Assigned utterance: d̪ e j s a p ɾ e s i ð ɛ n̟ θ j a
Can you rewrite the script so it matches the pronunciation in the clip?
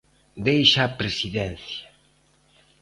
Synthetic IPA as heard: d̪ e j ʃ a p ɾ e s i ð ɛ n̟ θ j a